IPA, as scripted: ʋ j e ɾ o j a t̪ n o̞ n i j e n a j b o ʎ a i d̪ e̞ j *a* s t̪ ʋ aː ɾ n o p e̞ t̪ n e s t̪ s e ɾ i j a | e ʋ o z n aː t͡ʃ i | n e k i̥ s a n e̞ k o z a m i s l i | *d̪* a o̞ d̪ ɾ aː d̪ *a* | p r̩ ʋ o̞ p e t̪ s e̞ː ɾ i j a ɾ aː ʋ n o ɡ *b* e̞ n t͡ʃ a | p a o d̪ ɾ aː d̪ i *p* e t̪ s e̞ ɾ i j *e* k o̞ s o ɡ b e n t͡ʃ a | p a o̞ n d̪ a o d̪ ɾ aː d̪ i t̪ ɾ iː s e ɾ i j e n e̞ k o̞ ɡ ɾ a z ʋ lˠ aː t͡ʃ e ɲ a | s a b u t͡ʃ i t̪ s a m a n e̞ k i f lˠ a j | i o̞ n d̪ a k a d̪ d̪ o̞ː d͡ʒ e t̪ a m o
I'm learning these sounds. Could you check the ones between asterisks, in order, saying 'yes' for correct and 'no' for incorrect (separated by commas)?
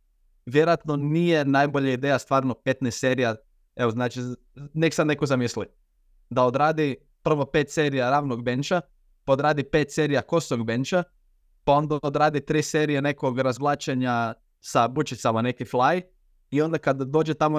yes, yes, no, yes, yes, no